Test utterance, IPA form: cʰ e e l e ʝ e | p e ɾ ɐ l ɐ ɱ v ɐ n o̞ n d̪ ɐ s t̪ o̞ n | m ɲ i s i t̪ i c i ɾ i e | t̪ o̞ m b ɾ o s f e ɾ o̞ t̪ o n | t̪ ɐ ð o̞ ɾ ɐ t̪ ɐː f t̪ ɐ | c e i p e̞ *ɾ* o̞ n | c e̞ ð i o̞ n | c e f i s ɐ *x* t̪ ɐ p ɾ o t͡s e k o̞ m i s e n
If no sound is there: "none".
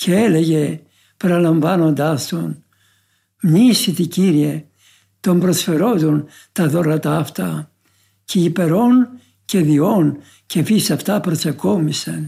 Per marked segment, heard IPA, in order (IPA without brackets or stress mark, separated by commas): ɾ, f